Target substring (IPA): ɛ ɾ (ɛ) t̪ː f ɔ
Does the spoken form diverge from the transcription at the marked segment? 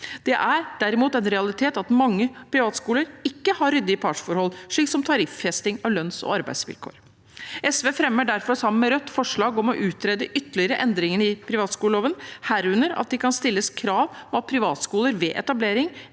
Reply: yes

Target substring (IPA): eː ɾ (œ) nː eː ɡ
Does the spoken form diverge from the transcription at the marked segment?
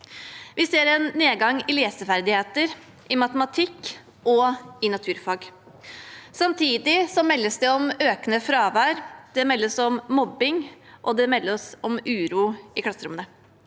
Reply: yes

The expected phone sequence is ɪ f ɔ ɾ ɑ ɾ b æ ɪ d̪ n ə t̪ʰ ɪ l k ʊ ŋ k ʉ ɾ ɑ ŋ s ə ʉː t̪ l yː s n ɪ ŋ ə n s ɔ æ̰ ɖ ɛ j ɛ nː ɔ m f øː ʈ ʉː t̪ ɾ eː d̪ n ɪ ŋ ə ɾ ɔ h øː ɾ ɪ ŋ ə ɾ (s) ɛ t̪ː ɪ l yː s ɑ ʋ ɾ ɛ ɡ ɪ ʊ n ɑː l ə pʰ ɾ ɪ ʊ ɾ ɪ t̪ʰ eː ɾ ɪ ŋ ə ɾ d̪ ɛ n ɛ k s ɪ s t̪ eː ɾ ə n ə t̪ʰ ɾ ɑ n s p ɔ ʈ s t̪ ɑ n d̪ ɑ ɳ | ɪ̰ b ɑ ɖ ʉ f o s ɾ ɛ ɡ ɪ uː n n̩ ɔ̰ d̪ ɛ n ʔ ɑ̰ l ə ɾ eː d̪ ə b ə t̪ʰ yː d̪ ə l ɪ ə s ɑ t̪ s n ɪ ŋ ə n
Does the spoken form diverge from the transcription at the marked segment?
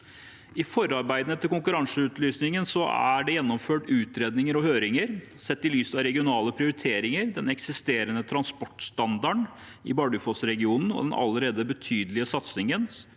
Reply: no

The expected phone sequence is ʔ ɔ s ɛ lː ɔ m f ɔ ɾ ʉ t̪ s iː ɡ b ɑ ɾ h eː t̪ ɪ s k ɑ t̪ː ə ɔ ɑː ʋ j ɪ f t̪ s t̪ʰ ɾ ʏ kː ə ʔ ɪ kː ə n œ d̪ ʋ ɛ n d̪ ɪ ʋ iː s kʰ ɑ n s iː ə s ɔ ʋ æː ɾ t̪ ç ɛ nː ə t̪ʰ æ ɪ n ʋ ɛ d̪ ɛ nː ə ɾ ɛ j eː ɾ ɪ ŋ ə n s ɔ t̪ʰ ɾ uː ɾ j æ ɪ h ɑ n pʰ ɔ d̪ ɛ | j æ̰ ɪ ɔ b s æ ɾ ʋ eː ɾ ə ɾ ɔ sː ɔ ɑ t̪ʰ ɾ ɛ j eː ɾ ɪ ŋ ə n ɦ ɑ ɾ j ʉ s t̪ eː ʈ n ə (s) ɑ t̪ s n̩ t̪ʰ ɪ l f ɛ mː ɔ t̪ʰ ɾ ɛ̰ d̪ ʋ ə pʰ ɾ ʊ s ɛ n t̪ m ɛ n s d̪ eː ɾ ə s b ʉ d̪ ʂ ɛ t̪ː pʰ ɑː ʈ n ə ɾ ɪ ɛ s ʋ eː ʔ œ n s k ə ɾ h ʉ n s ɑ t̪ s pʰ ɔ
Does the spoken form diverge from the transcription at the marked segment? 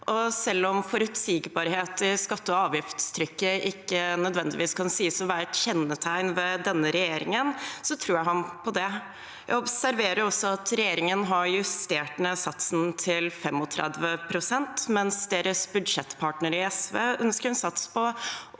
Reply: no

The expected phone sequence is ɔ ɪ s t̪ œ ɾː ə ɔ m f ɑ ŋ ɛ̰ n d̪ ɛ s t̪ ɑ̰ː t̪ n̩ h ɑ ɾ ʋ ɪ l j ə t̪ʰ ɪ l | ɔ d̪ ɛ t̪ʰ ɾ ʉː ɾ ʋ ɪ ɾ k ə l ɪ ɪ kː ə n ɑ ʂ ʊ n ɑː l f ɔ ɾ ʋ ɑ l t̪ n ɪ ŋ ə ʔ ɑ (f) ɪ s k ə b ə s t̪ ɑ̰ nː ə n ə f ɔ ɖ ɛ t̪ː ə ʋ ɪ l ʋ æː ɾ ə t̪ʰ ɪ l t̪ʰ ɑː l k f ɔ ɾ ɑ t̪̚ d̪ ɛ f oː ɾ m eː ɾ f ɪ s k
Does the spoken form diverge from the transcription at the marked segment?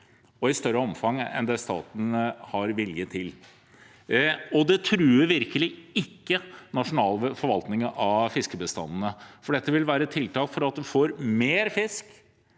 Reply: no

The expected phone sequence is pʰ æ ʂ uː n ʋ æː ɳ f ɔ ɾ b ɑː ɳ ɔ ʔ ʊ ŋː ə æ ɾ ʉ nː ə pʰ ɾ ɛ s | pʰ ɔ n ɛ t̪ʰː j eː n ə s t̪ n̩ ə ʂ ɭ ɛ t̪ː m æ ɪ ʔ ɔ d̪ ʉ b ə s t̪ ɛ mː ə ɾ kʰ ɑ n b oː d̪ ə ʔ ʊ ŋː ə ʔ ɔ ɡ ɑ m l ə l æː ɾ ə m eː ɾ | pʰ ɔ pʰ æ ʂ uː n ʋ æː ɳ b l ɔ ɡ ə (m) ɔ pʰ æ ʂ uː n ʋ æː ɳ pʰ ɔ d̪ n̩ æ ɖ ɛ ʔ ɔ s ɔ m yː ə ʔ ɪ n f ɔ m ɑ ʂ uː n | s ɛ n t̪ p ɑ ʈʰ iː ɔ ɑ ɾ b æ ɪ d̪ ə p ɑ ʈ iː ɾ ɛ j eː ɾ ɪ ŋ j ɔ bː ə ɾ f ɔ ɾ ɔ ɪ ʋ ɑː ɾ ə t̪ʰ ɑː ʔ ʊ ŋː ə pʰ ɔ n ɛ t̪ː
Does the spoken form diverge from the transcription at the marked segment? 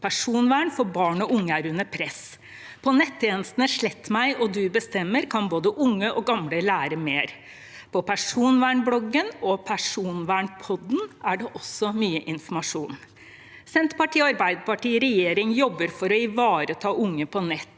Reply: yes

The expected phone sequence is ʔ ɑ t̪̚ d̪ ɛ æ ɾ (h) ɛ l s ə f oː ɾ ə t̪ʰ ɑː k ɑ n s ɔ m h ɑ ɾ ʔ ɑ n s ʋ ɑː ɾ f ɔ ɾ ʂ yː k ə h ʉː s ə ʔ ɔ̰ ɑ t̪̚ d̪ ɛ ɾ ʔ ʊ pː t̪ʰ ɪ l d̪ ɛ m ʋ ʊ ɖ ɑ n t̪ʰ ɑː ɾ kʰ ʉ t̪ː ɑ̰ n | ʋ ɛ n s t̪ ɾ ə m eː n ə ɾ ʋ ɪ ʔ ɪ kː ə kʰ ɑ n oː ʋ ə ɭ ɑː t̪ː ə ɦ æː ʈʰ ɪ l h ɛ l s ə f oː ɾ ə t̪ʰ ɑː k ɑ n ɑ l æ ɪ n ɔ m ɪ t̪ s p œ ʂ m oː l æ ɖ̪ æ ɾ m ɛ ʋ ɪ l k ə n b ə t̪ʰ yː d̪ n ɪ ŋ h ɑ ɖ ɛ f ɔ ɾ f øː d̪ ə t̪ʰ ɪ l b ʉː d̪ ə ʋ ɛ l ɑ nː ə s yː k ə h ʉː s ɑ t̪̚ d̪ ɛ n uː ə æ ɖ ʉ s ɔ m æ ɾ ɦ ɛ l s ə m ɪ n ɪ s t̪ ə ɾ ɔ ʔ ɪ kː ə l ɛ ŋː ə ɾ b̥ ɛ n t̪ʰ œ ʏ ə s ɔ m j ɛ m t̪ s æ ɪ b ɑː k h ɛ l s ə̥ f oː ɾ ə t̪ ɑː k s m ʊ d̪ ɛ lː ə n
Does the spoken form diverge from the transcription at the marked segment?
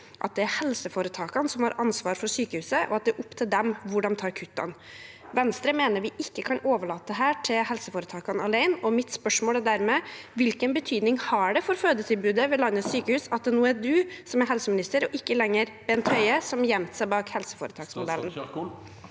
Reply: no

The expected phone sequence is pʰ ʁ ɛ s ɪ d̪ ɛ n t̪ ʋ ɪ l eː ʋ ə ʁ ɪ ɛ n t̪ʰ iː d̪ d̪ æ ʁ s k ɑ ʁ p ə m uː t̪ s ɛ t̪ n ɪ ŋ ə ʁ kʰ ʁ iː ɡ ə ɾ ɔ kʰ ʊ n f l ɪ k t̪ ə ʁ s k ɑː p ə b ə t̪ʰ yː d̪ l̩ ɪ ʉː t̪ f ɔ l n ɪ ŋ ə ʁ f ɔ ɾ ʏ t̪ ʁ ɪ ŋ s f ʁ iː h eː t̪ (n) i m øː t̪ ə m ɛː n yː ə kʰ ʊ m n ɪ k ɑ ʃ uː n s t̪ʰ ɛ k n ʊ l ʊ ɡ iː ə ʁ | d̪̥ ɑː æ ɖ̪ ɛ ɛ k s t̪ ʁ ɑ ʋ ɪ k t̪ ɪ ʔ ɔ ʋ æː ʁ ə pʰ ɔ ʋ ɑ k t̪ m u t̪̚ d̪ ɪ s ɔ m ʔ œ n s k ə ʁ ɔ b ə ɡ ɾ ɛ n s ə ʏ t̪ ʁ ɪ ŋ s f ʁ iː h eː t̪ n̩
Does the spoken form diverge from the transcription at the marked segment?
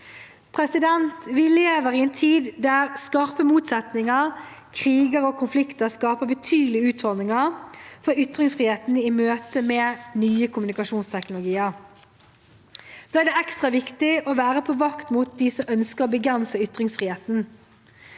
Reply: no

